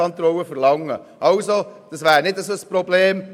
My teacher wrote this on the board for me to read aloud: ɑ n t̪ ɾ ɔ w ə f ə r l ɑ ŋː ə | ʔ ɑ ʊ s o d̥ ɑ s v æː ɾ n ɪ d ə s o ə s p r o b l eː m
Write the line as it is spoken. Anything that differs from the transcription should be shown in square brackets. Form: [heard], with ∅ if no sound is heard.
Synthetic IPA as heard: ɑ n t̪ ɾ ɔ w ə f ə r l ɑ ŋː ə | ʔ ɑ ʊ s o d̥ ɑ s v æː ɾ n ɪ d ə s o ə s p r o b l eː m